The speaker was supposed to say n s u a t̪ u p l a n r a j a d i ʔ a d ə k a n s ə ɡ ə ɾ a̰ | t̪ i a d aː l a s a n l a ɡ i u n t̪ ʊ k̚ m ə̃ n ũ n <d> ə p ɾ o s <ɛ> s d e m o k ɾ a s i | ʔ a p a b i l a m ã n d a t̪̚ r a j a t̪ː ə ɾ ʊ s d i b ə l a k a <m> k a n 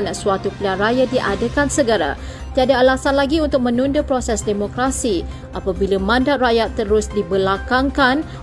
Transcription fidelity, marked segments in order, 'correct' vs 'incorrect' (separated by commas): correct, correct, incorrect